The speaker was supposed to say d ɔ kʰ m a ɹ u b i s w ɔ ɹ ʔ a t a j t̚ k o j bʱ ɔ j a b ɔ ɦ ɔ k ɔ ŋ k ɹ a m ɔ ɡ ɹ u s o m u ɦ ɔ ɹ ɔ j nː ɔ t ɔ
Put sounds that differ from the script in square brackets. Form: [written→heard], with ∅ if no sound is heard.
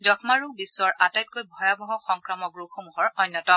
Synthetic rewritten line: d ɔ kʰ m a ɹ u b i s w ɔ ɹ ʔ a t a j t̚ k o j bʱ ɔ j a b ɔ ɦ ɔ [k→x] ɔ ŋ k ɹ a m ɔ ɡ ɹ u [s→x] o m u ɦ ɔ ɹ ɔ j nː ɔ t ɔ